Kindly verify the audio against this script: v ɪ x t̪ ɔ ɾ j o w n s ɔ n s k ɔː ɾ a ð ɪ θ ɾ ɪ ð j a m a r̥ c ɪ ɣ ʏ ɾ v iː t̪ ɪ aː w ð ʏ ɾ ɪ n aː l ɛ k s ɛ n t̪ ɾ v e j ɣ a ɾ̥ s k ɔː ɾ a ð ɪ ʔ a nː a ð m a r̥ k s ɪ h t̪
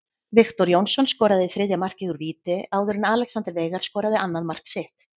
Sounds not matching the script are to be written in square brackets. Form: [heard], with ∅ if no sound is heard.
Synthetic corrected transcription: v ɪ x t̪ ɔ ɾ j o w n s ɔ n s k ɔː ɾ a ð ɪ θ ɾ ɪ ð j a m a r̥ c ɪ ɣ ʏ ɾ v iː t̪ ɪ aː w ð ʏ ɾ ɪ n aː l ɛ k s [a] n t̪ ɾ v e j ɣ a ɾ̥ s k ɔː ɾ a ð ɪ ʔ a nː a ð m a r̥ k s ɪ h t̪